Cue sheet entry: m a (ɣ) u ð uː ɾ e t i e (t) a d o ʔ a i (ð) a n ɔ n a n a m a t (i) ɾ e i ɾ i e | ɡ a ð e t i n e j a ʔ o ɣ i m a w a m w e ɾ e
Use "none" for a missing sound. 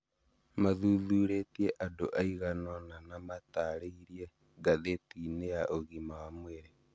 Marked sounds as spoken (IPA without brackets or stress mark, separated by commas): ð, ʔ, ɣ, a